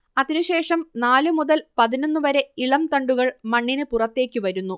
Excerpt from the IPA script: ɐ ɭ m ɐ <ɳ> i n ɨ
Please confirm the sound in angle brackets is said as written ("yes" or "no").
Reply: no